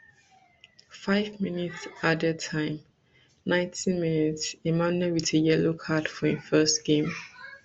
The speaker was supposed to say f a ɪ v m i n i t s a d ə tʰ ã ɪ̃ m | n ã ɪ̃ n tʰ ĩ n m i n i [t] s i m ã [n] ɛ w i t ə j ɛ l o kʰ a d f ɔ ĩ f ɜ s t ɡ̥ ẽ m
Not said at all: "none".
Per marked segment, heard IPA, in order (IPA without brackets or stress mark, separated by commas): t, n